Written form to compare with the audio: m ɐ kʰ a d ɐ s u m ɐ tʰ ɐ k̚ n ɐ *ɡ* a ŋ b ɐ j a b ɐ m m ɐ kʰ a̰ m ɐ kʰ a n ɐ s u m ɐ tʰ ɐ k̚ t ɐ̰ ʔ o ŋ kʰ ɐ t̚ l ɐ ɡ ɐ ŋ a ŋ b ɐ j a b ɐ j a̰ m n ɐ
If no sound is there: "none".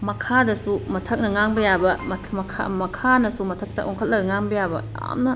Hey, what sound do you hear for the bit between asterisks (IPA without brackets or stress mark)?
ŋ